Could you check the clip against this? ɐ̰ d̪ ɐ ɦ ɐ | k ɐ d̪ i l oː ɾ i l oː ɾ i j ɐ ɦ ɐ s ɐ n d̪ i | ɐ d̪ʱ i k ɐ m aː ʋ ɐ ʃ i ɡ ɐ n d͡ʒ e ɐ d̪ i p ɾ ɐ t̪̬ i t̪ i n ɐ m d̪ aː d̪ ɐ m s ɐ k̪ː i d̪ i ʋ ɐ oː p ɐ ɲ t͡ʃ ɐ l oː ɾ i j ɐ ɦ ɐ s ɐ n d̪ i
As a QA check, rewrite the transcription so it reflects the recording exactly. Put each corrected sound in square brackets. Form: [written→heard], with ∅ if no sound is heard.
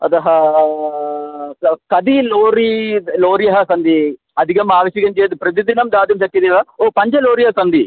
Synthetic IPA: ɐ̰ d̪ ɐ ɦ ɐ | k ɐ d̪ i l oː ɾ i l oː ɾ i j ɐ ɦ ɐ s ɐ n d̪ i | ɐ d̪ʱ i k ɐ m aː ʋ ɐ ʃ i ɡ ɐ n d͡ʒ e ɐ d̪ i p ɾ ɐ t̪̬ i [t̪→d̪] i n ɐ m d̪ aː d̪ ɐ m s ɐ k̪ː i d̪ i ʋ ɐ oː p ɐ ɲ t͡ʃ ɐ l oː ɾ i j ɐ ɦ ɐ s ɐ n d̪ i